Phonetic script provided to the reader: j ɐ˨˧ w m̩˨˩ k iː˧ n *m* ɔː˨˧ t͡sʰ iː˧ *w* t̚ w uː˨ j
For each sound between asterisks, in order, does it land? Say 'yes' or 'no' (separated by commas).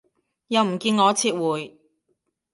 no, no